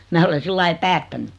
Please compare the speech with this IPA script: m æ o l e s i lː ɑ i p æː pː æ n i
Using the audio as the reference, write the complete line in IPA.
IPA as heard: m æː o l e s i lː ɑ i p æː tː æ n y